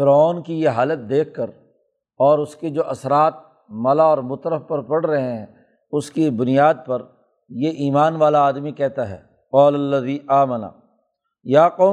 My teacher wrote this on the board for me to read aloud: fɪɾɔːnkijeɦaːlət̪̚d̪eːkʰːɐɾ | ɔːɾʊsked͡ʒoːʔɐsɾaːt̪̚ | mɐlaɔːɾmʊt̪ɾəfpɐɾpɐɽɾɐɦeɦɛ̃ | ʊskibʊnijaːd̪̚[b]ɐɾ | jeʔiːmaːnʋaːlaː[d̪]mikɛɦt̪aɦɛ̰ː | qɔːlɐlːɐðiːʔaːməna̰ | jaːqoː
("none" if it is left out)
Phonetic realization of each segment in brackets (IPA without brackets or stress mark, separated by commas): p, d̪